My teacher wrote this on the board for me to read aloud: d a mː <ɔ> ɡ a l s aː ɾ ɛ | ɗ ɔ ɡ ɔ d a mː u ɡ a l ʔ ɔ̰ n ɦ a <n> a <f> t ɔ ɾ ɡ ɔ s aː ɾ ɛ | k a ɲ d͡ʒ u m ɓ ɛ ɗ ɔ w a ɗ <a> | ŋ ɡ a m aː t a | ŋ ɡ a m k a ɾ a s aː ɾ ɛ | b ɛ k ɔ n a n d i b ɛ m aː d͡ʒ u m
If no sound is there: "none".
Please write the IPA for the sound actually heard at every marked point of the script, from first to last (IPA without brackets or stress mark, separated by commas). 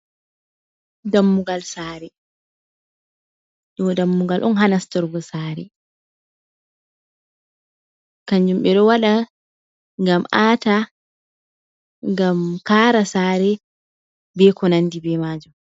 u, n, s, a